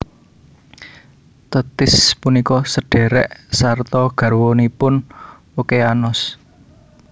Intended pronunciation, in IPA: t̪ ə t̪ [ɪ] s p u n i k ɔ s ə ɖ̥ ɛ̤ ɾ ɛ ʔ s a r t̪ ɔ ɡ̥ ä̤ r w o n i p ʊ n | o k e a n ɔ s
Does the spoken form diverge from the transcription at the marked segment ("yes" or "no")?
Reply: no